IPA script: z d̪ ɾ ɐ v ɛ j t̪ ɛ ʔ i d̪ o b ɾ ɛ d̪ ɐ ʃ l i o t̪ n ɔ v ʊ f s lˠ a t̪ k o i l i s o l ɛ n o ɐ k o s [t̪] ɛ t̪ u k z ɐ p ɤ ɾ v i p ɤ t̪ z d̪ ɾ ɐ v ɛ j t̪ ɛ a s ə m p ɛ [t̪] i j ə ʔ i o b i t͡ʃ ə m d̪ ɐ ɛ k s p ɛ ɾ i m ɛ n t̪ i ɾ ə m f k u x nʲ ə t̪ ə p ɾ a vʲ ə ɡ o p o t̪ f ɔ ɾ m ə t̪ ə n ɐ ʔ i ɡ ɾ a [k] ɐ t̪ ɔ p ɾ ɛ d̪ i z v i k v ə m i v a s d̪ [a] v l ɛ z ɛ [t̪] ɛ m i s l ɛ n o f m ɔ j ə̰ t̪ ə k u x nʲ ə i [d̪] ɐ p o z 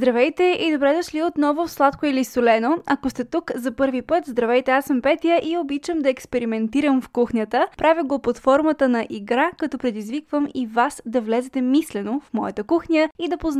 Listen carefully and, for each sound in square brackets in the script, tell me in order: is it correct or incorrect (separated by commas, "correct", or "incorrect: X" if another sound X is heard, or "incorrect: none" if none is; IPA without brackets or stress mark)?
correct, correct, correct, incorrect: ɐ, correct, correct